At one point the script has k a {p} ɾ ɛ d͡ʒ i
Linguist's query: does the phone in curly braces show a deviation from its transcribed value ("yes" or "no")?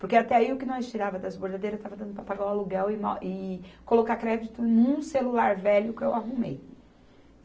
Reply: yes